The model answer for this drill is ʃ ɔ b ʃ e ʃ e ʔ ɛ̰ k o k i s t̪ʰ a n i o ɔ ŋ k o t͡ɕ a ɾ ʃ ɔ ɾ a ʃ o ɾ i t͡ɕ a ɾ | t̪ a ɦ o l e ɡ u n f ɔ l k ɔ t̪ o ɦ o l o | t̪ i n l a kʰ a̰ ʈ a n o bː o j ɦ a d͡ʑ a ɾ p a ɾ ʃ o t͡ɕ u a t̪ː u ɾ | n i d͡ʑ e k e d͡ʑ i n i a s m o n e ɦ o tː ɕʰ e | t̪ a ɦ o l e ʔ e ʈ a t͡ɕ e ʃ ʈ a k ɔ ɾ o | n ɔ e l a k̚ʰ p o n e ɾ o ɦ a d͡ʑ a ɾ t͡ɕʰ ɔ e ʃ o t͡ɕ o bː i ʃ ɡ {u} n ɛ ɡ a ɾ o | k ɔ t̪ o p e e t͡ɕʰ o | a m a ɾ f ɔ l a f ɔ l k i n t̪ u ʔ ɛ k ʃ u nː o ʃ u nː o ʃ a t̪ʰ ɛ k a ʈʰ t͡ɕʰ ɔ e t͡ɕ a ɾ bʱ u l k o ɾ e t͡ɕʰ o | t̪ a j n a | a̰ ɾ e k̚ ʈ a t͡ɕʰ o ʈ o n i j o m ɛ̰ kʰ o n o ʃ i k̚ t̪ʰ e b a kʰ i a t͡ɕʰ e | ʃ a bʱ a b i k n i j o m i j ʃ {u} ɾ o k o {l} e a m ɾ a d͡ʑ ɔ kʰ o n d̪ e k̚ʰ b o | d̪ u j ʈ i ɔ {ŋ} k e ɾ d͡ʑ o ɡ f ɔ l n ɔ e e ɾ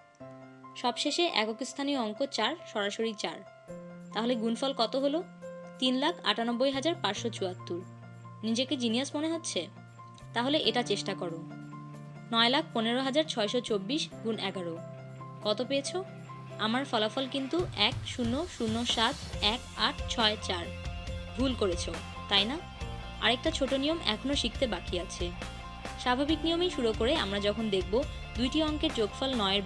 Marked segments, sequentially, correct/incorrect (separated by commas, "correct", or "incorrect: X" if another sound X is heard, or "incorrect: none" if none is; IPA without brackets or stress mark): correct, correct, incorrect: ɾ, correct